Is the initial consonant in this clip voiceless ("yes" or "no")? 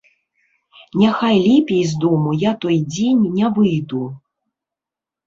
no